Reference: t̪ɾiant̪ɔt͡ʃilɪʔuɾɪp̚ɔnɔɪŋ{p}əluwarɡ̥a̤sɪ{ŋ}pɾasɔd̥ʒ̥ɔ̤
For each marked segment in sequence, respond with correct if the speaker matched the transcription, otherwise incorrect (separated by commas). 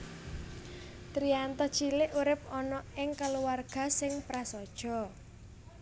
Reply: incorrect, correct